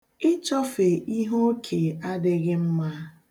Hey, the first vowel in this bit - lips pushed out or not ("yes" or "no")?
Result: no